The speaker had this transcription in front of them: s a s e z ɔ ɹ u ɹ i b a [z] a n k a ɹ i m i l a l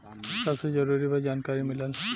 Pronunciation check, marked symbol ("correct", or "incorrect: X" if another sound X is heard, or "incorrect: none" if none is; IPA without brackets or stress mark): correct